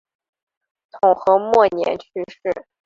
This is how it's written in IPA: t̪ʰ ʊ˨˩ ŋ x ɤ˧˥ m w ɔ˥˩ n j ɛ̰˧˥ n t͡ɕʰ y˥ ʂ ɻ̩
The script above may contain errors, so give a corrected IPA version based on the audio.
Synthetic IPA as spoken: t̪ʰ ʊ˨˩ ŋ x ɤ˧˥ m w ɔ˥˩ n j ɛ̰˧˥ n t͡ɕʰ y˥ ʂ ɻ̩